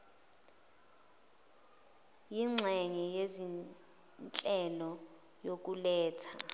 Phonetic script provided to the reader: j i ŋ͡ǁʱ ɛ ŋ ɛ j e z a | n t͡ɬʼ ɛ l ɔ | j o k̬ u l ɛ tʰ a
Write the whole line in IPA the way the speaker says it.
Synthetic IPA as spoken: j i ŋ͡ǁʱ ɛ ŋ ɛ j e z i | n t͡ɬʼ ɛ l ɔ | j o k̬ u l ɛː tʰ a